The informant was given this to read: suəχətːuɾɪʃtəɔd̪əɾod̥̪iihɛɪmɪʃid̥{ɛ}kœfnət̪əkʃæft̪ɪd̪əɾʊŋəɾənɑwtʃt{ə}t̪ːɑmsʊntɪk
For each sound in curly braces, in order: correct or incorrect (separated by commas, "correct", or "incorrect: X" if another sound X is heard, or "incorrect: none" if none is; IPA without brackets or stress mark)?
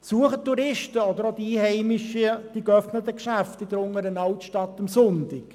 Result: incorrect: i, incorrect: ɑ